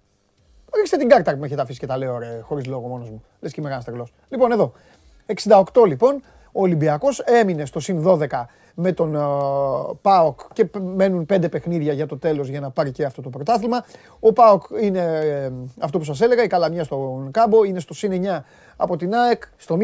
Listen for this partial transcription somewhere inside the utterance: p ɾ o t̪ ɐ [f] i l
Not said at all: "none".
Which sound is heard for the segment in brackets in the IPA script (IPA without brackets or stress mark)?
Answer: θ